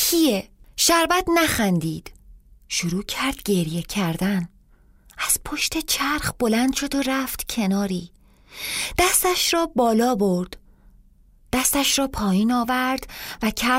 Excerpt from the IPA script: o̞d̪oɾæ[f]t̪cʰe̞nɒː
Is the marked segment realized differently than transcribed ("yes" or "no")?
no